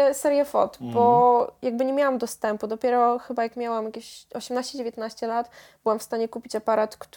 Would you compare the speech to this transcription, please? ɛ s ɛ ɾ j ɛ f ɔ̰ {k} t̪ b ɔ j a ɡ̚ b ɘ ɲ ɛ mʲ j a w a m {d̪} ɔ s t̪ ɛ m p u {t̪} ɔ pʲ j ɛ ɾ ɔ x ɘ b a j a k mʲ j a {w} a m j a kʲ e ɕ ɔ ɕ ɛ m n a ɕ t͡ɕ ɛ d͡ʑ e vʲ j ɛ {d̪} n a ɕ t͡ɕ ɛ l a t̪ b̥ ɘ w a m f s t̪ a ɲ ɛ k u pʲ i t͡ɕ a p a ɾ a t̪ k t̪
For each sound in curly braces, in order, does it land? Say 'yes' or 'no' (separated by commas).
no, yes, no, yes, no